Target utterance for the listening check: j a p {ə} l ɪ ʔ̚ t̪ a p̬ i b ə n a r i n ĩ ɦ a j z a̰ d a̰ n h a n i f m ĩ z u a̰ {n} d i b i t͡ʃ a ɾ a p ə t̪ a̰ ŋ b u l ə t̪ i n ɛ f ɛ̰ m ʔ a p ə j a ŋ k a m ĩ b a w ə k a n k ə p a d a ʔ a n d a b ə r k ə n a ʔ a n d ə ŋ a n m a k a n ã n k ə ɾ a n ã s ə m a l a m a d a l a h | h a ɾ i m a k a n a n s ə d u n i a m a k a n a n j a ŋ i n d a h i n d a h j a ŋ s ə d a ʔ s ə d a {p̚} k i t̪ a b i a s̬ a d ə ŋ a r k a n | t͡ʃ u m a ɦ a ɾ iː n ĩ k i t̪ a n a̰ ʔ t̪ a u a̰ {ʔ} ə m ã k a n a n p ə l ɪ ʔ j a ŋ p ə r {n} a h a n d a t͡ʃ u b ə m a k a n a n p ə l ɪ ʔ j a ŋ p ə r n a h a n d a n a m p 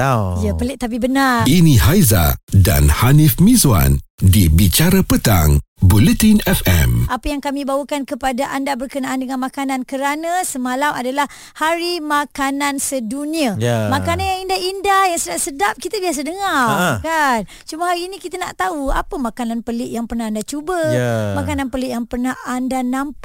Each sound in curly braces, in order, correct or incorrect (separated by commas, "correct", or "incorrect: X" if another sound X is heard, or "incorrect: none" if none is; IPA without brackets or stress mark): correct, correct, correct, incorrect: p, correct